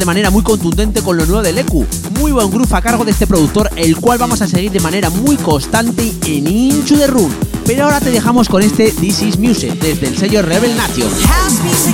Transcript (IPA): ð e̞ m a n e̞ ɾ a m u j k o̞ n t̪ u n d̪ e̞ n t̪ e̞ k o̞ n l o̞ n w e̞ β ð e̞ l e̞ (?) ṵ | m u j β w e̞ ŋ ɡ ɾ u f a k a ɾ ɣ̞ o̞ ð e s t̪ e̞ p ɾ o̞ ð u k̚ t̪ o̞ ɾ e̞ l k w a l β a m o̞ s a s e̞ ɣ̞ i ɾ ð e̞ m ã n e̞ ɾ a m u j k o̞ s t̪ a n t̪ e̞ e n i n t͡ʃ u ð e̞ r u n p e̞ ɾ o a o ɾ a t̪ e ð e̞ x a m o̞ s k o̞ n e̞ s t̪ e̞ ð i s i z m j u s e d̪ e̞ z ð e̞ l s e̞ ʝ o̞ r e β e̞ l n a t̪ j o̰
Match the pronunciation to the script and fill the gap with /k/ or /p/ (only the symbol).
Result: k